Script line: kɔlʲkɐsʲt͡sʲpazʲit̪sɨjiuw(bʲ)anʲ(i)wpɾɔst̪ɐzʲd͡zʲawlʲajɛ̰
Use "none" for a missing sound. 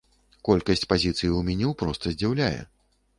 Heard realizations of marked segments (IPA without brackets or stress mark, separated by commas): mʲ, ɛ